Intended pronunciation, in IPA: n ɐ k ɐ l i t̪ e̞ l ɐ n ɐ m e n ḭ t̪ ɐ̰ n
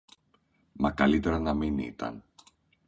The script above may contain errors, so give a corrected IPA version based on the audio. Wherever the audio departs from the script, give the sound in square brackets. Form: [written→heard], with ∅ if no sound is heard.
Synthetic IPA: [n→m] ɐ k ɐ l i t̪ e̞ [l→ɾ] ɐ n ɐ m [e→i] n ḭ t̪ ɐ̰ n